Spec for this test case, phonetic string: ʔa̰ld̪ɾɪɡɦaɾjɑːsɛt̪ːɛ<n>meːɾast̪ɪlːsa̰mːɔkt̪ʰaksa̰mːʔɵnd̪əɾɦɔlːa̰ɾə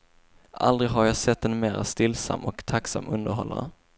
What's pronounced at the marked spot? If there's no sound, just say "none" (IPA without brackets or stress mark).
n